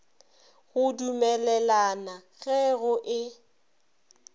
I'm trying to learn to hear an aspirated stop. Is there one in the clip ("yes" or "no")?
no